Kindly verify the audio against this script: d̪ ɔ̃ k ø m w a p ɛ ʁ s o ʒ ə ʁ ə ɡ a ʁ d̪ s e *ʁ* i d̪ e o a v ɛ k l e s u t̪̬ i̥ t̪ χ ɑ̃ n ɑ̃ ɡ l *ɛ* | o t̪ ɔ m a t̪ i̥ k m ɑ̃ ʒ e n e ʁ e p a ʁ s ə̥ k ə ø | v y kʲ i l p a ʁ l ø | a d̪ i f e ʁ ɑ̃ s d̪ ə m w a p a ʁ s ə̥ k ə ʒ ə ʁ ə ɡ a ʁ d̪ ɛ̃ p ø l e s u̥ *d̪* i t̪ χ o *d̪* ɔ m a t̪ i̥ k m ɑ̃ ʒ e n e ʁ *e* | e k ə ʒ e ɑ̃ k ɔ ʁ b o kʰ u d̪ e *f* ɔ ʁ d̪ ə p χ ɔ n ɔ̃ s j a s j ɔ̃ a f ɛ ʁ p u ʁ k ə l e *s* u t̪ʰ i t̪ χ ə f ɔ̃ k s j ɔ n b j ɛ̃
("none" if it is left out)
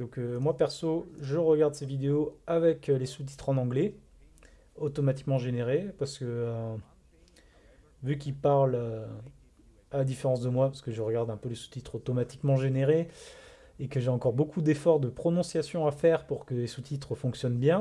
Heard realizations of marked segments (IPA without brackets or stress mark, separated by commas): v, ɛ, t̪, t̪, e, f, s